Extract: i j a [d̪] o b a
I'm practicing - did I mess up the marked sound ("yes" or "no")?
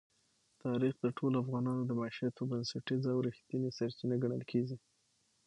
yes